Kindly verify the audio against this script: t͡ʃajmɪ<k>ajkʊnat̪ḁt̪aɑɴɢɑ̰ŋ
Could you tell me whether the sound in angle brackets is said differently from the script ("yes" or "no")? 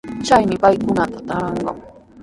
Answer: yes